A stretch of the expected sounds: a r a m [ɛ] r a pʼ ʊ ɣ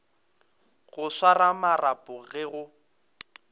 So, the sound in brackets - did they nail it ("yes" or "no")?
no